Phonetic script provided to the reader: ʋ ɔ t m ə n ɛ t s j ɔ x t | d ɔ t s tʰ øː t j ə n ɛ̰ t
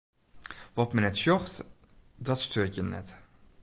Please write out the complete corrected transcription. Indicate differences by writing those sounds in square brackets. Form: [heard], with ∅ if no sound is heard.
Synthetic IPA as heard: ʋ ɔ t m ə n ɛ t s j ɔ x t | d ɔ t s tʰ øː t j ə n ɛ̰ t